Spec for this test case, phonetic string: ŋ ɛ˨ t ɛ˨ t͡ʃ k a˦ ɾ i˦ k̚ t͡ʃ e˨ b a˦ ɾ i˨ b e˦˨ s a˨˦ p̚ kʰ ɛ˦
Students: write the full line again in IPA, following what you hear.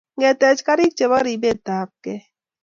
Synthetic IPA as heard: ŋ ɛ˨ t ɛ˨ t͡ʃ k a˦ ɾ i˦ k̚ t͡ʃ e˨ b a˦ ɾ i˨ b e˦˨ t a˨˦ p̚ k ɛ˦